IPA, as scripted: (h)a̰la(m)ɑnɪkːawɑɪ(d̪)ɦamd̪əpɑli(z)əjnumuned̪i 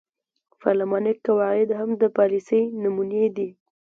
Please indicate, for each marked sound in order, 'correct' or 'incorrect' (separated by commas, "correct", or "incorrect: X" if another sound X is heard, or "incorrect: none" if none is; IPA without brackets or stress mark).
incorrect: f, correct, correct, incorrect: s